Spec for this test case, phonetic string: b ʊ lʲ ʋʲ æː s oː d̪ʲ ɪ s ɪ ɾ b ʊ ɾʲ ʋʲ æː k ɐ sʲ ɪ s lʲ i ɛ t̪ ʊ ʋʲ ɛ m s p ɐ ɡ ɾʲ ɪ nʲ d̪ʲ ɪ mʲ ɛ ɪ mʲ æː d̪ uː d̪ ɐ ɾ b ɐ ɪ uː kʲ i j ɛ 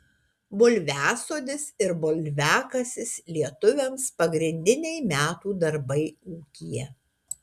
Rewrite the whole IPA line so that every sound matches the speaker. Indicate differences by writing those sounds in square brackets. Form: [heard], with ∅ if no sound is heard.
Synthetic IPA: b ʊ lʲ ʋʲ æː s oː d̪ʲ ɪ s ɪ ɾ b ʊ [lʲ] ʋʲ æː k ɐ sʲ ɪ s lʲ i ɛ t̪ ʊ ʋʲ ɛ m s p ɐ ɡ ɾʲ ɪ nʲ d̪ʲ ɪ [nʲ] ɛ ɪ mʲ æː [t̪] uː d̪ ɐ ɾ b ɐ ɪ uː kʲ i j ɛ